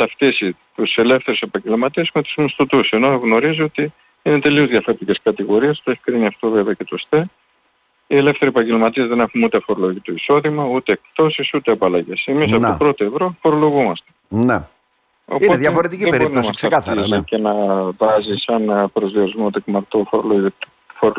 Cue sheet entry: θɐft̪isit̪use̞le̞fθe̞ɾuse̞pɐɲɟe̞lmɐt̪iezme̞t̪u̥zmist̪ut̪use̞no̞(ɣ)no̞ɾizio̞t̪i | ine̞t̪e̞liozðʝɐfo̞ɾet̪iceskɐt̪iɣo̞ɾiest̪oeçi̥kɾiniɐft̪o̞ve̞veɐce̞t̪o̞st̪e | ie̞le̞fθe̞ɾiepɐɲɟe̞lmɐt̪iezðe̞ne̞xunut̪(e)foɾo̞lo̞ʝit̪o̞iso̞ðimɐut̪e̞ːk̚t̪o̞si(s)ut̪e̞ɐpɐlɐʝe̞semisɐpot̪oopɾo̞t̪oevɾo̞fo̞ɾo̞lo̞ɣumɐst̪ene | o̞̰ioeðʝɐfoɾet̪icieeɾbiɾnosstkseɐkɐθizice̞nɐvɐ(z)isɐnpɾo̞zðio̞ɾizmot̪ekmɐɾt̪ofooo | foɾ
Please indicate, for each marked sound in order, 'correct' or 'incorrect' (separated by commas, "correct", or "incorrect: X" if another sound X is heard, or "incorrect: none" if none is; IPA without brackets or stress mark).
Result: correct, correct, correct, correct